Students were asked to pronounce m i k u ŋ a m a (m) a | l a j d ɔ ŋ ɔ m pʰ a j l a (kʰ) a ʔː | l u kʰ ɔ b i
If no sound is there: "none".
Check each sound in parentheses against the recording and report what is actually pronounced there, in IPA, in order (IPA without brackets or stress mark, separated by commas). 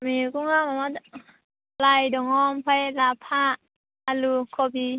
m, pʰ